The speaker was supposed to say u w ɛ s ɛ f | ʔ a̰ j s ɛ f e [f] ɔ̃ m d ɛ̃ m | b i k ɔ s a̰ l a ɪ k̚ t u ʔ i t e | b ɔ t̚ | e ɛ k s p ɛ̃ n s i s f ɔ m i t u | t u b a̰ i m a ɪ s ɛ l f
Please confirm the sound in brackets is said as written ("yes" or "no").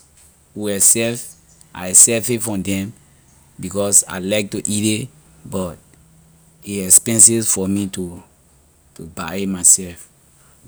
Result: yes